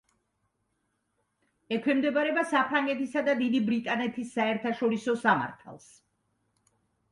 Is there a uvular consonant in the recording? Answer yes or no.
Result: no